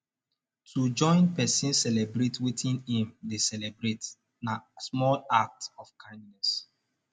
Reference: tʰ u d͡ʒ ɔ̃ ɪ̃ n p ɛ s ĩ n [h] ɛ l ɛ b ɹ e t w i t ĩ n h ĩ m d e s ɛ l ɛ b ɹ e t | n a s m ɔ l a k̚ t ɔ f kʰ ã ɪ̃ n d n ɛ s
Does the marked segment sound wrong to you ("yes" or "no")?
yes